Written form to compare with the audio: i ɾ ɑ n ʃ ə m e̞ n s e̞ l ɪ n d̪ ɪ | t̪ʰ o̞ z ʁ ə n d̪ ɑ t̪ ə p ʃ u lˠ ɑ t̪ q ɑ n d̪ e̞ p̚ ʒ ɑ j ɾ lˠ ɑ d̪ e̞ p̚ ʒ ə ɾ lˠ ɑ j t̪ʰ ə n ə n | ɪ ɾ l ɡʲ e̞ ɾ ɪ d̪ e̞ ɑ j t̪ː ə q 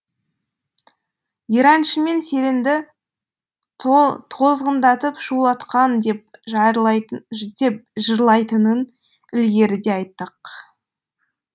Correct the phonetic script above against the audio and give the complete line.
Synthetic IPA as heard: i ɾ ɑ n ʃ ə m e̞ n s e̞ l ɪ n d̪ ɪ | t̪ʰ o̞ z ʁ ə n d̪ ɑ t̪ ə p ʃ u lˠ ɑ t̪ q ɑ n d̪ e̞ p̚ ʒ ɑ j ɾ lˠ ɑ d̪ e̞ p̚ ʒ ə ɾ lˠ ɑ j t̪ ə n ə n | ɪ l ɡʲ e̞ ɾ ɪ d̪ e̞ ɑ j t̪ː ə q

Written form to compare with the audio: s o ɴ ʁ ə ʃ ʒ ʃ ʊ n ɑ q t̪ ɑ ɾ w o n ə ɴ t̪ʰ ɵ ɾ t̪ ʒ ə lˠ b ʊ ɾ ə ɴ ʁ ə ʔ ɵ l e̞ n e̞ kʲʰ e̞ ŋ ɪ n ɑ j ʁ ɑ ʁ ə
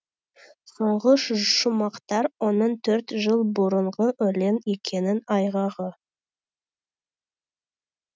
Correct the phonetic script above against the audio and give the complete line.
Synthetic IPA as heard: s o ɴ ʁ ə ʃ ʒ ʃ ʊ m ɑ q t̪ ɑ ɾ w o n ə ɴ t̪ʰ ɵ ɾ t̪ ʒ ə lˠ b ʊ ɾ ə ɴ ʁ ə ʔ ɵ l e̞ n e̞ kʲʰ e̞ n ɪ n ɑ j ʁ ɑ ʁ ə

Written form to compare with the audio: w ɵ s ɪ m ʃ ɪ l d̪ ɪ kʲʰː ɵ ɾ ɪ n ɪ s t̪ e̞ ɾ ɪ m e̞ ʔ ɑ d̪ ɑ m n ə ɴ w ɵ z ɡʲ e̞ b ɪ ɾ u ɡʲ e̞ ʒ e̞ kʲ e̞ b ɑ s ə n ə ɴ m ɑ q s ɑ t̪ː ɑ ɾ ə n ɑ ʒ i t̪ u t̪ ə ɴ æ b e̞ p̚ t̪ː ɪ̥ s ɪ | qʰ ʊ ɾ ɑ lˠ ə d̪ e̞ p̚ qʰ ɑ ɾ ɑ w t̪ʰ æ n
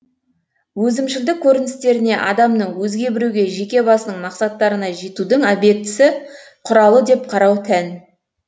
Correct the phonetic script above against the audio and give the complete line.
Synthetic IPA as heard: w ɵ z ɪ m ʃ ɪ l d̪ ɪ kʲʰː ɵ ɾ ɪ n ɪ s t̪ e̞ ɾ ɪ n e̞ ʔ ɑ d̪ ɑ m n ə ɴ w ɵ z ɡʲ e̞ b ɪ ɾ u ɡʲ e̞ ʒ e̞ kʲ e̞ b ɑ s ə n ə ɴ m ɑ q s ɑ t̪ː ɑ ɾ ə n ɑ ʒ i t̪ u d̪ ə ɴ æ b e̞ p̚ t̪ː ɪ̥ s ɪ | qʰ ʊ ɾ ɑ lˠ ə d̪ e̞ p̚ qʰ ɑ ɾ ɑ w t̪ʰ æ n

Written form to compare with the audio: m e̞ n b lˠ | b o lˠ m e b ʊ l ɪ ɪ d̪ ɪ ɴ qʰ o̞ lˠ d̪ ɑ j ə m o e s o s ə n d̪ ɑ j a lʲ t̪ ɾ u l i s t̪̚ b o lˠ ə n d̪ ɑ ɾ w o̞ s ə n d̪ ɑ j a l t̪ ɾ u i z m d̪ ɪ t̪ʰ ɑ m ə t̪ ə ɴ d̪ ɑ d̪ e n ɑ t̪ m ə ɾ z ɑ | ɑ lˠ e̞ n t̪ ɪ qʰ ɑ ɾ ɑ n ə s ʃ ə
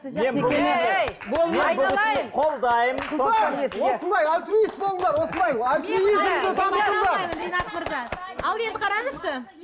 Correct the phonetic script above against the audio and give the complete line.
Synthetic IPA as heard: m e̞ n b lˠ | b o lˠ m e b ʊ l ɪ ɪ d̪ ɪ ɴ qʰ o̞ lˠ d̪ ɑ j ə m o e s o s ə n d̪ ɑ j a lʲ t̪ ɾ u i s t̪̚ b o lˠ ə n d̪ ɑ ɾ w o̞ s ə n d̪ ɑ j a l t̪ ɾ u i z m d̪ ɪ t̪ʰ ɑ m ə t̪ ə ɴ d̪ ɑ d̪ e n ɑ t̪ m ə ɾ z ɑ | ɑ lˠ e̞ n d̪ ɪ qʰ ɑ ɾ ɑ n ə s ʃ ə

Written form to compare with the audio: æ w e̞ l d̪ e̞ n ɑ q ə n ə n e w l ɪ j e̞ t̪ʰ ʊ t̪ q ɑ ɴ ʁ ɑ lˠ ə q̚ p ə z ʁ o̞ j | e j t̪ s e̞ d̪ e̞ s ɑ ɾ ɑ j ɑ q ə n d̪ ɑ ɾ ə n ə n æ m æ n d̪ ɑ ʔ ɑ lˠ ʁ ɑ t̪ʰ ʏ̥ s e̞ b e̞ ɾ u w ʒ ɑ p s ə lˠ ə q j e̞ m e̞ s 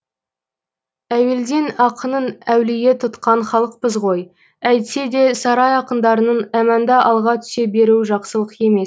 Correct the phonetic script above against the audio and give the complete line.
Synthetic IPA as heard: æ w e̞ l d̪ e̞ n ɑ q ə n ə n æ w l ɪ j e̞ t̪ʰ ʊ t̪ q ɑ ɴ χ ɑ lˠ ə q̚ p ə z ʁ o̞ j | æ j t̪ s e̞ d̪ e̞ s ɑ ɾ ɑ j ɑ q ə n d̪ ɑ ɾ ə n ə n æ m æ n d̪ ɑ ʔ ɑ lˠ ʁ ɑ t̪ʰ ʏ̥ s e̞ b e̞ ɾ u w ʒ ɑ q s ə lˠ ə q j e̞ m e̞ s

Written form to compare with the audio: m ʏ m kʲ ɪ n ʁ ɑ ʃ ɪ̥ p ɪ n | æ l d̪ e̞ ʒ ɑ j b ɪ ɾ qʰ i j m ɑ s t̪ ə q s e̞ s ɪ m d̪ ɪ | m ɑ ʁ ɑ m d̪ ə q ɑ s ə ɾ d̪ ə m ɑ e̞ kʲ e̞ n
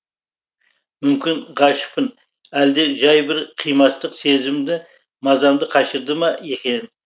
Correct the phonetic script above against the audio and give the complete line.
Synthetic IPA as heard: m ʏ m kʲ ɪ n ʁ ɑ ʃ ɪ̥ p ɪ n | æ l d̪ e̞ ʒ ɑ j b ɪ ɾ qʰ i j m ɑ s t̪ ə q s e̞ z ɪ m d̪ ɪ | m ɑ z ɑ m d̪ ə qʰ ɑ ʃ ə ɾ d̪ ə m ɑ e̞ kʲ e̞ n

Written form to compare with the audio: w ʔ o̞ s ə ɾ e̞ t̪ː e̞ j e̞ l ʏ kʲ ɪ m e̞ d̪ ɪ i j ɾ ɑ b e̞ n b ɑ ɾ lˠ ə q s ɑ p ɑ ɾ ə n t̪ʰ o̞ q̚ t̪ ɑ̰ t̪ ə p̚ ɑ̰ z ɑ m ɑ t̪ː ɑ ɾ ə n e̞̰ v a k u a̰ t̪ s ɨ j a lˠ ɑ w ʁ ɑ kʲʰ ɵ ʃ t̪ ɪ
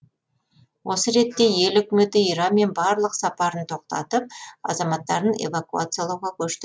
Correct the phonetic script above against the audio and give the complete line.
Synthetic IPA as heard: w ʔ o̞ s ə ɾ e̞ t̪ː e̞ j e̞ l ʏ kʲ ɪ m e̞ t̪ ɪ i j ɾ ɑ m e̞ n b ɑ ɾ lˠ ə q s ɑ p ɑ ɾ ə n t̪ʰ o̞ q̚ t̪ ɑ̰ t̪ ə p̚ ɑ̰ z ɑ m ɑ t̪ː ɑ ɾ ə n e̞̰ v a k u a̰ t̪ s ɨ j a lˠ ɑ w ʁ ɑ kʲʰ ɵ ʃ t̪ ɪ

